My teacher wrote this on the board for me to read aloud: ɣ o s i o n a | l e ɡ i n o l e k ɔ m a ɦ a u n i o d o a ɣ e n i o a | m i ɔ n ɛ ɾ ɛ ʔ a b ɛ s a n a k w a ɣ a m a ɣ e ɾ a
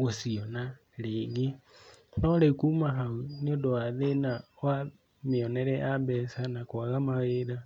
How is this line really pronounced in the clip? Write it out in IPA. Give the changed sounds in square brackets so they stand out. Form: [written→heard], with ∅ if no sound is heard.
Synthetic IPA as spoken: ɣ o s i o n a | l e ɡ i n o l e k [ɔ→u] m a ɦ a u n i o d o a [ɣ→ð] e n [i→a] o a | m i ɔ n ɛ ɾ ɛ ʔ a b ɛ s a n a k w a ɣ a m a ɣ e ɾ a